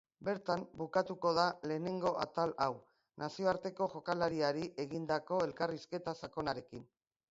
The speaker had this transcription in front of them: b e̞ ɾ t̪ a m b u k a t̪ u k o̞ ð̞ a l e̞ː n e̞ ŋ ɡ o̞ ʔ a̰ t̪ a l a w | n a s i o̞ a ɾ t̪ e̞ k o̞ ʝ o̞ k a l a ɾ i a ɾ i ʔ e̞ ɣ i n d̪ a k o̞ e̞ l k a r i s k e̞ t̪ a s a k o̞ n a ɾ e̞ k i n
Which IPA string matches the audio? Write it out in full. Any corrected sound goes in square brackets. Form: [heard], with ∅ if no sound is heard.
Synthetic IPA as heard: b e̞ ɾ t̪ a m b u k a t̪ u k o̞ ð̞ a l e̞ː n e̞ ŋ ɡ o̞ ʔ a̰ t̪ a l a w | n a s i o̞ a ɾ t̪ e̞ k o̞ ʝ o̞ k a l a ɾ i a ɾ i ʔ e̞ ɣ i n d̪ a k o̞ e̞ l k a r i s k e̞ t̪ a s a k o̞ n a ɾ e̞ k i n